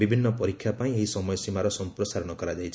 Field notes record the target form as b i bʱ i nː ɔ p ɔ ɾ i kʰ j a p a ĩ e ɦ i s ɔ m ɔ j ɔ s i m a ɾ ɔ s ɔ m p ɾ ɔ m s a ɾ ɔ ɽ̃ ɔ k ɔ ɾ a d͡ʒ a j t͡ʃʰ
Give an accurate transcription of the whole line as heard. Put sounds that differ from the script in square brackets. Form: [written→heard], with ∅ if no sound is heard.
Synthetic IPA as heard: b i bʱ i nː ɔ p ɔ ɾ i kʰ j a p a ĩ e ɦ i s ɔ m ɔ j ɔ s i m a ɾ ɔ s ɔ m p ɾ ɔ [m→∅] s a ɾ ɔ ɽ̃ ɔ k ɔ ɾ a d͡ʒ a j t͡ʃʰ

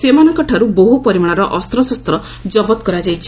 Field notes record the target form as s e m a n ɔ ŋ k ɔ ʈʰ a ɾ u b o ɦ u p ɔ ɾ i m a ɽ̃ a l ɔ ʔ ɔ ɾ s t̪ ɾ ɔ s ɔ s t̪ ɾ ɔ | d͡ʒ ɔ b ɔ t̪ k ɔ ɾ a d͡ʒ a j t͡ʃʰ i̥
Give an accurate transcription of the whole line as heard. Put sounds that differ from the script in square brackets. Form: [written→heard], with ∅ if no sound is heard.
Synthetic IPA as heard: s e m a n ɔ ŋ k ɔ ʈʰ a ɾ u b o ɦ u p ɔ ɾ i m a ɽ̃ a [l→ɾ] ɔ ʔ ɔ [ɾ→∅] s t̪ ɾ ɔ s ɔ s t̪ ɾ ɔ | d͡ʒ ɔ b ɔ t̪ k ɔ ɾ a d͡ʒ a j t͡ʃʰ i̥

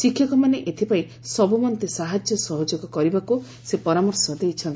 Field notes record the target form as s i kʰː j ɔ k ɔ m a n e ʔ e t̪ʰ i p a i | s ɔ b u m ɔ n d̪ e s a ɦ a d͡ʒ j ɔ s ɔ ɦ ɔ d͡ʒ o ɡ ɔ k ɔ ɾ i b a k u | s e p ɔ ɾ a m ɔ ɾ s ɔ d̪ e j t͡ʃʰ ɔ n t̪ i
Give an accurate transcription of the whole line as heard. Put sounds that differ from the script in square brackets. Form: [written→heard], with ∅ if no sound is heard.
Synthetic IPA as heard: s i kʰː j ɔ k ɔ m a n e ʔ e t̪ʰ i p a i | s ɔ b u m ɔ n [d̪→t̪] e s a ɦ a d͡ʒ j ɔ s ɔ ɦ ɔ d͡ʒ o ɡ ɔ k ɔ ɾ i b a k u | s e p ɔ ɾ a m ɔ ɾ s ɔ d̪ e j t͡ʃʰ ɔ n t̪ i

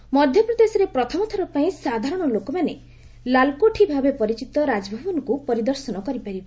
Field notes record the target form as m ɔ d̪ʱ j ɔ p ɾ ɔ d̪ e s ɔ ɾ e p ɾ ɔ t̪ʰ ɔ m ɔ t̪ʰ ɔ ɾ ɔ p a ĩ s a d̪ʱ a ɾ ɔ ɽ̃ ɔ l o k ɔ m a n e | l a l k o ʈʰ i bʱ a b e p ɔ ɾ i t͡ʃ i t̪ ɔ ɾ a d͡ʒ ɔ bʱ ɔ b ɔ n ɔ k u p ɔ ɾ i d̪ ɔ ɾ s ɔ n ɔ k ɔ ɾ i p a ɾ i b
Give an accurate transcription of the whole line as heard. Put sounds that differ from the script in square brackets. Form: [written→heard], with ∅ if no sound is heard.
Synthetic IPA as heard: m ɔ d̪ʱ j ɔ p ɾ ɔ d̪ e s ɔ ɾ e p ɾ ɔ t̪ʰ ɔ m ɔ t̪ʰ ɔ ɾ ɔ p a ĩ s a d̪ʱ a ɾ ɔ ɽ̃ ɔ l o k ɔ m a n e | l a l k o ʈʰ i bʱ a b e p ɔ ɾ i t͡ʃ i t̪ ɔ ɾ a d͡ʒ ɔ bʱ ɔ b ɔ n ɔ k u p ɔ ɾ i d̪ ɔ ɾ s ɔ n ɔ k ɔ ɾ i p a ɾ i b

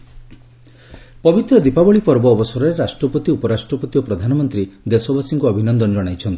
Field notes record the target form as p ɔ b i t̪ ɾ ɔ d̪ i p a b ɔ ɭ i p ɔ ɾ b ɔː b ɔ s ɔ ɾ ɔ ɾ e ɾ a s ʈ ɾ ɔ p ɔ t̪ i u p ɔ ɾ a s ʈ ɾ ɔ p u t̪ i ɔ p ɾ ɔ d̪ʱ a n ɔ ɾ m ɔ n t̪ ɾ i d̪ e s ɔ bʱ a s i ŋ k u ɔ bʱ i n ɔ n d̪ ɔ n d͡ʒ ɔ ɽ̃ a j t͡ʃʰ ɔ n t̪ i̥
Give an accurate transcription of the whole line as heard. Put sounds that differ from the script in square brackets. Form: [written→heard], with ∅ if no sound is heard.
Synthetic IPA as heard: p ɔ b i t̪ ɾ ɔ d̪ i p a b ɔ ɭ i p ɔ ɾ b ɔː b ɔ s ɔ ɾ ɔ ɾ e ɾ a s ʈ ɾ ɔ p ɔ t̪ i u p ɔ ɾ a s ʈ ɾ ɔ p [u→ɔ] t̪ i ɔ p ɾ ɔ d̪ʱ a n ɔ [ɾ→∅] m ɔ n t̪ ɾ i d̪ e s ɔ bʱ a s i ŋ k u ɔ bʱ i n ɔ n d̪ ɔ n d͡ʒ ɔ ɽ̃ a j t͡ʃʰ ɔ n t̪ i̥

